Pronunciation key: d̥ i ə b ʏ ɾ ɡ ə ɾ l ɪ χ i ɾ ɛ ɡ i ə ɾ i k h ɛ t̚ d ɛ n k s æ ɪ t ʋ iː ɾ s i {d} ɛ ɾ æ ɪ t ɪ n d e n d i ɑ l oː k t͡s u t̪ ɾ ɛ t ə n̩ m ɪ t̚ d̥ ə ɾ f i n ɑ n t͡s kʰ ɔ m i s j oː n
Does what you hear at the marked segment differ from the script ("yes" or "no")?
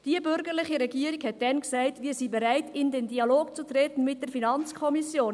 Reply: yes